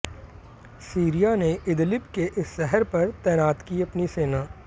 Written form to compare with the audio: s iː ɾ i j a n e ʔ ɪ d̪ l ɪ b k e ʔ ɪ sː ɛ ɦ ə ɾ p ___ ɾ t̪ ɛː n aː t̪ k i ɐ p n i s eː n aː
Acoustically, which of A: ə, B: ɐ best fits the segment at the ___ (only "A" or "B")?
B